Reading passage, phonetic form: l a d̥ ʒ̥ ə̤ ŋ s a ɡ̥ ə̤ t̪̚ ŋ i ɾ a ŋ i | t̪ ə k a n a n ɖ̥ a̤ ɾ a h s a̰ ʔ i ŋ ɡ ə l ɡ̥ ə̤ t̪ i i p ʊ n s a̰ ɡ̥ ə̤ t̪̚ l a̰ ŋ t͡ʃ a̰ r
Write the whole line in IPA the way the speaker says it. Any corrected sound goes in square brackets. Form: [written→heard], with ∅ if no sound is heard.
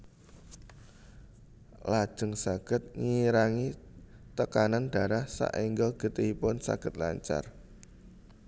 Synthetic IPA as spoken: l a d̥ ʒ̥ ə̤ ŋ s a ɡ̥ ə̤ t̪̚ ŋ i ɾ a ŋ i | t̪ ə k a n a n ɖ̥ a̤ ɾ a h s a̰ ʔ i ŋ ɡ ə l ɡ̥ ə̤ t̪ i i p ʊ n s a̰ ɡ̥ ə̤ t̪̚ l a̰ [ŋ→ɲ] t͡ʃ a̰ r